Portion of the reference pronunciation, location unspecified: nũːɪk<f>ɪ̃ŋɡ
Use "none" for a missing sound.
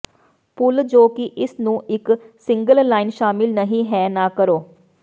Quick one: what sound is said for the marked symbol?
s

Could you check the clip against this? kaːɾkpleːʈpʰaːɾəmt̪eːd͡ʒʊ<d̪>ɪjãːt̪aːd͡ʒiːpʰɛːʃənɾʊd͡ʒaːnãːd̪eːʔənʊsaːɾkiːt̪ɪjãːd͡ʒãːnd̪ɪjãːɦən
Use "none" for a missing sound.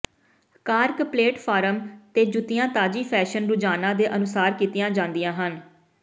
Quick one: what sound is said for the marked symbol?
t̪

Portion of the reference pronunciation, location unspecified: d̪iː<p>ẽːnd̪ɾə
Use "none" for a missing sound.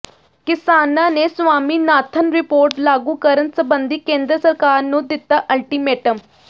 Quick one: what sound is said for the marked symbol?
k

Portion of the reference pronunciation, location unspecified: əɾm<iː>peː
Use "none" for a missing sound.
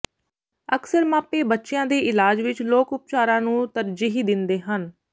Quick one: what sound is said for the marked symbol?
aː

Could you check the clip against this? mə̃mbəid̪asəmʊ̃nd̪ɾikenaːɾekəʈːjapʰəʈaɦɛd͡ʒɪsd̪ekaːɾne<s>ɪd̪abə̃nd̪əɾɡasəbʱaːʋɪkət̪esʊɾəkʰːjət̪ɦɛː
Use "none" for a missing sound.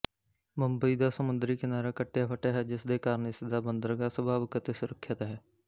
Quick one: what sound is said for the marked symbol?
s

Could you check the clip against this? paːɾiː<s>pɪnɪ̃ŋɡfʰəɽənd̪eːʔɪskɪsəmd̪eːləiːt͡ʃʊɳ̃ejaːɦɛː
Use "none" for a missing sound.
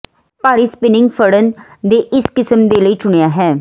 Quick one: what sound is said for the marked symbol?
s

